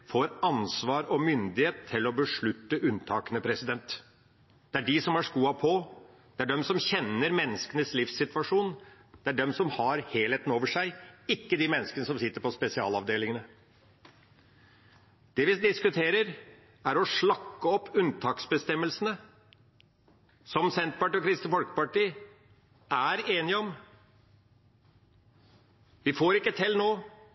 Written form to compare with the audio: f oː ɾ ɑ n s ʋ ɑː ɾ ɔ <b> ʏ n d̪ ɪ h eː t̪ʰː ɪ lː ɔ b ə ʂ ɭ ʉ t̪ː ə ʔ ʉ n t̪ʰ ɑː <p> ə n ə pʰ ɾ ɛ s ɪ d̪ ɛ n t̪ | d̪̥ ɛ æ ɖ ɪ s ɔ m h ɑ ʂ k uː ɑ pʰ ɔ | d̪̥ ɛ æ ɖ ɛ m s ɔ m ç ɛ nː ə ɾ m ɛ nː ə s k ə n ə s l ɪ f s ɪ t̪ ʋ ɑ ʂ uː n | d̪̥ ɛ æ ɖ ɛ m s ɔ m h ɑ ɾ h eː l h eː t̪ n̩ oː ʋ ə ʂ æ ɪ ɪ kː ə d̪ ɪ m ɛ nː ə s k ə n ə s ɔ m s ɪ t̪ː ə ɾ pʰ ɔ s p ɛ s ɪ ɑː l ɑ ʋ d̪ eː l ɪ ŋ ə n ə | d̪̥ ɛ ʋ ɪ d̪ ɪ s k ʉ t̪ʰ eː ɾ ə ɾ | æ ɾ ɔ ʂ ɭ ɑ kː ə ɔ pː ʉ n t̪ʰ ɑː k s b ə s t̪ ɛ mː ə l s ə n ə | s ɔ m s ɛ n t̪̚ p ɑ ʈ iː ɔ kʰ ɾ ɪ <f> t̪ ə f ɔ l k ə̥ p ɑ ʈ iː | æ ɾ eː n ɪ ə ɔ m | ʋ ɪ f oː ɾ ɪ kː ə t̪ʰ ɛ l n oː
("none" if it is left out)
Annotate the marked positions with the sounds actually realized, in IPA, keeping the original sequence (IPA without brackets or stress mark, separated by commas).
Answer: m, k, s